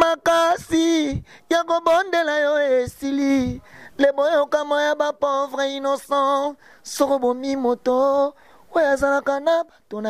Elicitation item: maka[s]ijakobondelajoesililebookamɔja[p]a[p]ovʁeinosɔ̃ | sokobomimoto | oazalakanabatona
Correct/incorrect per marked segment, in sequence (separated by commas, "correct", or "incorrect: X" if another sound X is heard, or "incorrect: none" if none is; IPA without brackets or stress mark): correct, incorrect: b, correct